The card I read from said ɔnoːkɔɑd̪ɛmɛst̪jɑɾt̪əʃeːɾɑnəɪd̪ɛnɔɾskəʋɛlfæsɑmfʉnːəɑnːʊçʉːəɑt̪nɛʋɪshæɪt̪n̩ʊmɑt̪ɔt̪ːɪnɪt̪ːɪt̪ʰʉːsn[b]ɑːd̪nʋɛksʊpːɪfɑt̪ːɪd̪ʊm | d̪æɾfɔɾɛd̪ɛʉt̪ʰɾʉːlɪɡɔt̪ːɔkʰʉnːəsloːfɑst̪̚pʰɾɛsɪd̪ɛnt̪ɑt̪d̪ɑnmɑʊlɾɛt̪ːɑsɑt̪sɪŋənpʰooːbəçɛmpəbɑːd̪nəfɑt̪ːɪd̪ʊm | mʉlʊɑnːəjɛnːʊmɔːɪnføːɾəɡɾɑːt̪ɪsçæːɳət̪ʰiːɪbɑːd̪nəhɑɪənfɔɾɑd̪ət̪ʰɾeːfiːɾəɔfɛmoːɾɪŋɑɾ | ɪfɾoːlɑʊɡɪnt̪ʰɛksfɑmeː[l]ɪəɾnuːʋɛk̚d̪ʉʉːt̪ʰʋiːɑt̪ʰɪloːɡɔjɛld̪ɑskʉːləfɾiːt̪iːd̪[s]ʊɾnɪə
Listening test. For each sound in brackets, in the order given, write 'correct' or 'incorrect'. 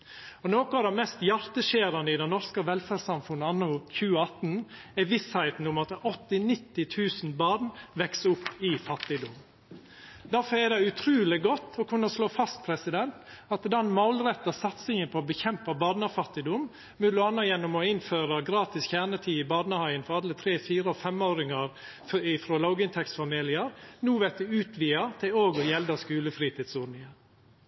correct, correct, correct

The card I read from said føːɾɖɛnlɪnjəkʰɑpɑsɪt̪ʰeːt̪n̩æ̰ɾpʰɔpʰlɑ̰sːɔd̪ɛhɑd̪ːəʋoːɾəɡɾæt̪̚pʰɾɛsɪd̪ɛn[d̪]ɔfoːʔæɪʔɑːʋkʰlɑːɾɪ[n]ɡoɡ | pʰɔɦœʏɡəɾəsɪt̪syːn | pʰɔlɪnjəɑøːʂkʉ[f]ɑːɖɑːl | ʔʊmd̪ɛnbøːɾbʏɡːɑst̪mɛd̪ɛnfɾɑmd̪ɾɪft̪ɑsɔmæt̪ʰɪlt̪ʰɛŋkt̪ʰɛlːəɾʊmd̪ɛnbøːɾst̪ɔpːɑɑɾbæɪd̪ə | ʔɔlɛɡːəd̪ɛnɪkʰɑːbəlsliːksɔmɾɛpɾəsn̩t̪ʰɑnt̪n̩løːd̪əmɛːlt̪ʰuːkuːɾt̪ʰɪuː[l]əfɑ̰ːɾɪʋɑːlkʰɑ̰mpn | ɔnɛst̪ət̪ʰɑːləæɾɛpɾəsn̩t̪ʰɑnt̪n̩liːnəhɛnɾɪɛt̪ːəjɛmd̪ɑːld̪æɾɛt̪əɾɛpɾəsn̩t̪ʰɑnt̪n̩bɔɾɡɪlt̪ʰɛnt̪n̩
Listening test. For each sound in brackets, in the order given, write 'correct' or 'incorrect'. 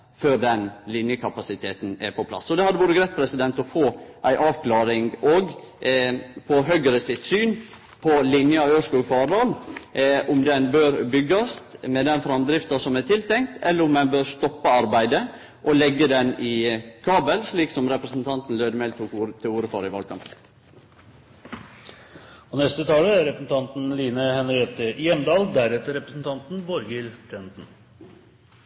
incorrect: t̪, incorrect: ŋ, correct, incorrect: ɾ

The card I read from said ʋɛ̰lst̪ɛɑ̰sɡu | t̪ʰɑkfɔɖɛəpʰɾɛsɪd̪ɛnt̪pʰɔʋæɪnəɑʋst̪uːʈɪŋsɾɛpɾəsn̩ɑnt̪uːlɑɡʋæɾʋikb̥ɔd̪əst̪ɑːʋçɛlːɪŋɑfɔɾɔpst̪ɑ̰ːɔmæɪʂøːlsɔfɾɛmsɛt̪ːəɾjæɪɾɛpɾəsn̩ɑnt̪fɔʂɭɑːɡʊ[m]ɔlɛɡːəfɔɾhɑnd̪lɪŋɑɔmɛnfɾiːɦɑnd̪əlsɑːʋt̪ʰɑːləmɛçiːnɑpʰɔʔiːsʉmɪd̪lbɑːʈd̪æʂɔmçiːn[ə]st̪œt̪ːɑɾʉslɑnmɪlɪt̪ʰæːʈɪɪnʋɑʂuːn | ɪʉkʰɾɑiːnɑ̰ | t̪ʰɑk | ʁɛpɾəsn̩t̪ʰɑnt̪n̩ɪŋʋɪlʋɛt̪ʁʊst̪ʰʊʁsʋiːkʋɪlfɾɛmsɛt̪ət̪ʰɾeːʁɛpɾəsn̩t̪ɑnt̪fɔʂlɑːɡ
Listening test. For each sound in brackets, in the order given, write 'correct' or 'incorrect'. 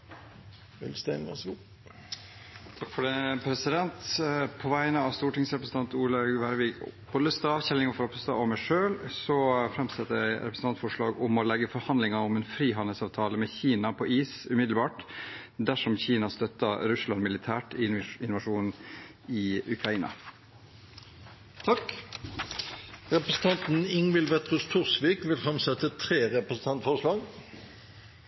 correct, incorrect: ɑ

